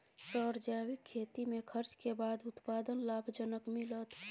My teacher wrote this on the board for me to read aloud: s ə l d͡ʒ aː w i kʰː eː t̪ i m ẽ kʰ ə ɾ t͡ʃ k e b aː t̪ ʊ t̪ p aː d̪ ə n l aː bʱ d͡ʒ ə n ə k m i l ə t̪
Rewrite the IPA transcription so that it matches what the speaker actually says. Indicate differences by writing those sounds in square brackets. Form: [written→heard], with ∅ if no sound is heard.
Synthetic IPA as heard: s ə [l→ɾ] d͡ʒ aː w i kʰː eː t̪ i m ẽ kʰ ə ɾ t͡ʃ k e b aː [t̪→d̪] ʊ t̪ p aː d̪ ə n l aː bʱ d͡ʒ ə n ə k m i l ə t̪